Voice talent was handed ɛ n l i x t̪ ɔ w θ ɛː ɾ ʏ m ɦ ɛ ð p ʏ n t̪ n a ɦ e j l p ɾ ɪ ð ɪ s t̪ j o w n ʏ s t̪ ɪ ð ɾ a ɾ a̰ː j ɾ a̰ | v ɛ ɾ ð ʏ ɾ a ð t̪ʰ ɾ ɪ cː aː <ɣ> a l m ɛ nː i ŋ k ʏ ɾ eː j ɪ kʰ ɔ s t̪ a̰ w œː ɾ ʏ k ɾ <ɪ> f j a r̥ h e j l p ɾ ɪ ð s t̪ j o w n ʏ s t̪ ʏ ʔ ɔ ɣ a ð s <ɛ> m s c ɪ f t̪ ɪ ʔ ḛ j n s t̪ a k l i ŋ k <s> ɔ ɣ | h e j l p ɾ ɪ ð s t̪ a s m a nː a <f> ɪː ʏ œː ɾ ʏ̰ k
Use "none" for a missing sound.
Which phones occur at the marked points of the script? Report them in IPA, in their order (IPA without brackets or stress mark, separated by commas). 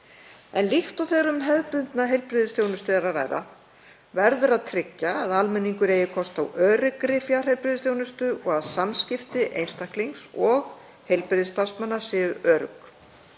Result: ð, ɪ, a, s, s